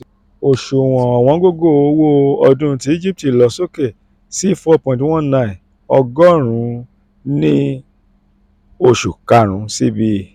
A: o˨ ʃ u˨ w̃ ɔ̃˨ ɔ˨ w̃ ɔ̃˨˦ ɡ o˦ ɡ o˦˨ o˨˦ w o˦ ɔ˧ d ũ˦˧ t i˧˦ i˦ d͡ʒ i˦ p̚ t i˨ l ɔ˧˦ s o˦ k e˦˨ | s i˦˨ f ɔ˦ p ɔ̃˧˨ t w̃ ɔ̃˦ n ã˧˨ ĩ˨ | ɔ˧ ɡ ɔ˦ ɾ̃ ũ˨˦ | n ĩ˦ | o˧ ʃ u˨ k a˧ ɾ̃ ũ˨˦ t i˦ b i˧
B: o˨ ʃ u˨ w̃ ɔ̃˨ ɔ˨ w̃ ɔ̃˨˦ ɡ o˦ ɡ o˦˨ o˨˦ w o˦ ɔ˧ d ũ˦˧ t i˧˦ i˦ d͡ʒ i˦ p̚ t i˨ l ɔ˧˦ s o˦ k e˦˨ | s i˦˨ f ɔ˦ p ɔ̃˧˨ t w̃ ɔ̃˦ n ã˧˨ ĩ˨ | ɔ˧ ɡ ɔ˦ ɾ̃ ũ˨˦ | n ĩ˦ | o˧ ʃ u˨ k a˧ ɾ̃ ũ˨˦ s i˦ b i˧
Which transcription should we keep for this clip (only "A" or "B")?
B